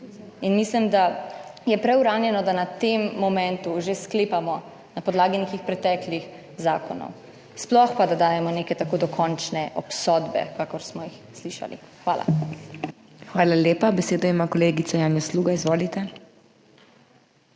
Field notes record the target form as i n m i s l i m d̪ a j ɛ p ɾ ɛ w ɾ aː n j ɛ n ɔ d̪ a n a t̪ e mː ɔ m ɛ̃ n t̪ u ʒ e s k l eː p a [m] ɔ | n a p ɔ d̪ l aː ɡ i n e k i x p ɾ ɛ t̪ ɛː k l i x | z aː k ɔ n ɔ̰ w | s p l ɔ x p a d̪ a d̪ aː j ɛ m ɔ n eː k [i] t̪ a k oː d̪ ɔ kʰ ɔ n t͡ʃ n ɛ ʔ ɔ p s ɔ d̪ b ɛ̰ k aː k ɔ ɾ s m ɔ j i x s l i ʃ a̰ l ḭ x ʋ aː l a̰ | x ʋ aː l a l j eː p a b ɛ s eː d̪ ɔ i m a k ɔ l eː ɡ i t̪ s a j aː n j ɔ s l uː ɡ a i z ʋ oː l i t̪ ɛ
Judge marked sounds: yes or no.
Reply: yes, no

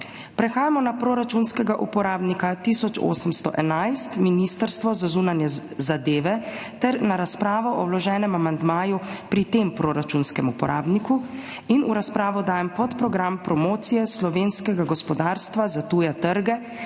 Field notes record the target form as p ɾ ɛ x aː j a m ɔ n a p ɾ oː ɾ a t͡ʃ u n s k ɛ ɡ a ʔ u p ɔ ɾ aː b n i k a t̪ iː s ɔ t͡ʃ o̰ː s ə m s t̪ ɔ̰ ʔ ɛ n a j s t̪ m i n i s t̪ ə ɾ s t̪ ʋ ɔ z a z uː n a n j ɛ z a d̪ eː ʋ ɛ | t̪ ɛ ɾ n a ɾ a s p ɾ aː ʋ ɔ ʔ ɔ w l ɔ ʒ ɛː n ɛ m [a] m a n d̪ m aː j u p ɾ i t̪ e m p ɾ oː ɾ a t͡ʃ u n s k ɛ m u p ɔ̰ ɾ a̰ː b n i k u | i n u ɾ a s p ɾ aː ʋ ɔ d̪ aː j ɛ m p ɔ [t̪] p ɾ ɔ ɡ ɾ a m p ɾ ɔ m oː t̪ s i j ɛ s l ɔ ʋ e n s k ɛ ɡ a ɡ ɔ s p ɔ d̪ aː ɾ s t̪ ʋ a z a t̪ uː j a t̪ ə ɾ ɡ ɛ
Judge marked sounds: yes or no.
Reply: yes, yes

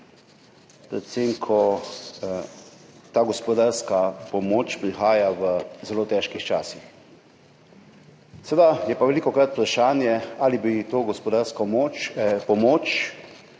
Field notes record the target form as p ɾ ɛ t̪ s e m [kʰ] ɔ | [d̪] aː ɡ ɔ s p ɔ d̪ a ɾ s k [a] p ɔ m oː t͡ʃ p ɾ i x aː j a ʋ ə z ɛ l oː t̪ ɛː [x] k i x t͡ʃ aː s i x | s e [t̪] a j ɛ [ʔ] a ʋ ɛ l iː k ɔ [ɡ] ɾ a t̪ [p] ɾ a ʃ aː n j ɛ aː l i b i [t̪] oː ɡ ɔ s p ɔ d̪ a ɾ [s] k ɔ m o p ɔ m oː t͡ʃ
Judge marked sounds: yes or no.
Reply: yes, no, yes, no, no, no, no, yes, yes, yes

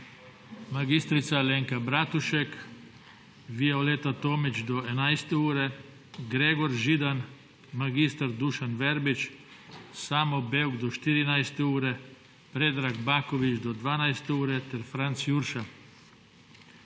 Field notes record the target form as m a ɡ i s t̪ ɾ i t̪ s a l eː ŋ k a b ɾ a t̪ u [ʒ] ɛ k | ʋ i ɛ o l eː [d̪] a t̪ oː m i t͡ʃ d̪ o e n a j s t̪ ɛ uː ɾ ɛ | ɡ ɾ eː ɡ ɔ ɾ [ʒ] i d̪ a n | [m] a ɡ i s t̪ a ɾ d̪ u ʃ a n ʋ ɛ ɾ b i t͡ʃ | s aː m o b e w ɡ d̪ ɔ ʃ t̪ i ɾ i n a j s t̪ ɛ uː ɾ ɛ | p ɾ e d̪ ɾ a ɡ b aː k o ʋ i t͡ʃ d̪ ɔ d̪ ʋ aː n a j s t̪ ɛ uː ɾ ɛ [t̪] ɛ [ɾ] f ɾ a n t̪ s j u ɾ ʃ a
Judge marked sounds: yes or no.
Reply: no, no, yes, yes, yes, yes

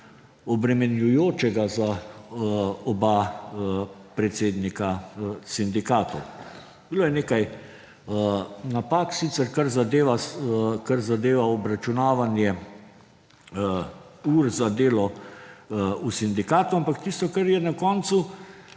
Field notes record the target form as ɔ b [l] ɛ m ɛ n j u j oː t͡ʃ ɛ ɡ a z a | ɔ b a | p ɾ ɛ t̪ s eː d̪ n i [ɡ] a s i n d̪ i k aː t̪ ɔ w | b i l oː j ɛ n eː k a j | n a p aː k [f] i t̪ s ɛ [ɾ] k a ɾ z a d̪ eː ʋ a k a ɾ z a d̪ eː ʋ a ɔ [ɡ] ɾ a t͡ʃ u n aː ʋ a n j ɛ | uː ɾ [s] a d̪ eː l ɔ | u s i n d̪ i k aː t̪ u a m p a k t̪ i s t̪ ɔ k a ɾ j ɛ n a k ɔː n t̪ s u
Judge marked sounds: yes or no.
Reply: no, no, no, yes, no, no

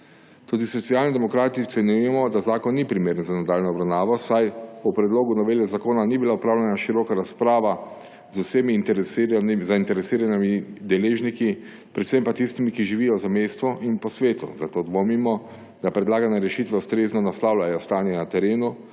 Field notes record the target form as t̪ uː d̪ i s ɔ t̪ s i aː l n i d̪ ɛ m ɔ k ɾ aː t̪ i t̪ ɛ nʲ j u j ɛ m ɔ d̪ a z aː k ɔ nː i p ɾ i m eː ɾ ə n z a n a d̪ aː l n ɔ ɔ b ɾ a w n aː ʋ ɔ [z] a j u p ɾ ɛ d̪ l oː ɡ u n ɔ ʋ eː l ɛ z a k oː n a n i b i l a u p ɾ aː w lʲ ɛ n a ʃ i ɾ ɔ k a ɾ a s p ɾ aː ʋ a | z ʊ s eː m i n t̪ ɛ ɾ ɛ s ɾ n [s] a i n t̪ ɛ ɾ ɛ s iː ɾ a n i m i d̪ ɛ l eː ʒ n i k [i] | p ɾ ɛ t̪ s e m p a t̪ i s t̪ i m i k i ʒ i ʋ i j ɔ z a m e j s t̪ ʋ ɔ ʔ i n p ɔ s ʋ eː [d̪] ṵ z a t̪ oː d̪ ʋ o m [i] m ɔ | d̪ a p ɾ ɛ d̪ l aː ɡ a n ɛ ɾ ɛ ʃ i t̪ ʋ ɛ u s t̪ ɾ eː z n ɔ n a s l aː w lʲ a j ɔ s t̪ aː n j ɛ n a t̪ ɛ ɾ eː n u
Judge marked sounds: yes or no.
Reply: no, no, yes, no, yes

